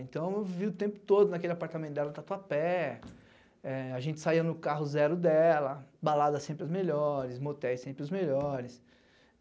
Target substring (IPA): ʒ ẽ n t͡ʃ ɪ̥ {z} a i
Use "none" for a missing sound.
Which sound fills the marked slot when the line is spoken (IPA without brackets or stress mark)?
s